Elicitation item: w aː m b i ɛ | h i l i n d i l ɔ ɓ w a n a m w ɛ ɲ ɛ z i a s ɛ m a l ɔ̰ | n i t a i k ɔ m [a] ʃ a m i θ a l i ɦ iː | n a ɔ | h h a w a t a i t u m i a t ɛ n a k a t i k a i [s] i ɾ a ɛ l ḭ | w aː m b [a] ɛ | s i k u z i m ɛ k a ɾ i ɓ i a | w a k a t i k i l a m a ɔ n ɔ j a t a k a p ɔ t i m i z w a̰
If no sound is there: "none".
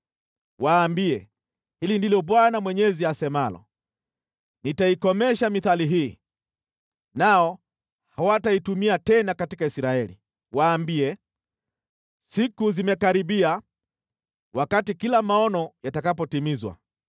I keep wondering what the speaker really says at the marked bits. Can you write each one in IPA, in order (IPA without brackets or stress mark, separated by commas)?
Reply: ɛ, s, i